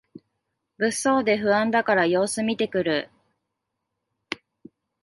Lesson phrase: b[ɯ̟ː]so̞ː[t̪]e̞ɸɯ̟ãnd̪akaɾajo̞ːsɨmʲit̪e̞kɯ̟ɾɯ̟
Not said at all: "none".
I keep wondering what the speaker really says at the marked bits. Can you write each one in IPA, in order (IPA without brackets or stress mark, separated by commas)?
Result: ɯ̟, d̪